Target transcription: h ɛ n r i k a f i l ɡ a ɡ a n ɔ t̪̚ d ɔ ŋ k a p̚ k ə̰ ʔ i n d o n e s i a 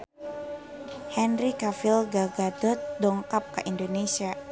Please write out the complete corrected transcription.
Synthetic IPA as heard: h ɛ n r i k a f i l ɡ a ɡ a d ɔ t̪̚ d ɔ ŋ k a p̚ k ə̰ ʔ i n d o n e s i a